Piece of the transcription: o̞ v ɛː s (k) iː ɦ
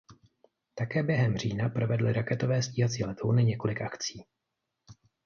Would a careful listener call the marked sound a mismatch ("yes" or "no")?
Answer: yes